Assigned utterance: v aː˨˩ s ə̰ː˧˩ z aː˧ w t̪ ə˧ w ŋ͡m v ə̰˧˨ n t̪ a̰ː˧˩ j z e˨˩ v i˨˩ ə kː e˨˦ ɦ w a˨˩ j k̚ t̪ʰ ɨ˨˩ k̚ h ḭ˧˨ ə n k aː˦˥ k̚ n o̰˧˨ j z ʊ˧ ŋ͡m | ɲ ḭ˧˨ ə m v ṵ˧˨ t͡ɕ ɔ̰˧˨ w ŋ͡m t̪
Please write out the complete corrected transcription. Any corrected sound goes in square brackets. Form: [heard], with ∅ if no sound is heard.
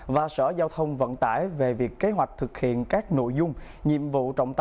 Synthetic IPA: v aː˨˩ s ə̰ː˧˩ z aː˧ w [t̪ʰ] ə˧ w ŋ͡m v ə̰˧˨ n t̪ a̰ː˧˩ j [v] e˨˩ v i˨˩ ə kː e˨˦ ɦ w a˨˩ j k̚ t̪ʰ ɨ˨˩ k̚ h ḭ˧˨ ə n k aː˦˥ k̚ n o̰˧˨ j z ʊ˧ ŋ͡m | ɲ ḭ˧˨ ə m v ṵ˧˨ t͡ɕ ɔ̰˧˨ w ŋ͡m t̪